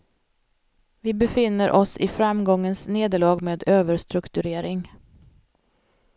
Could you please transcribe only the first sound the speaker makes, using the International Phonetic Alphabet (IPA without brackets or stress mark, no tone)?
v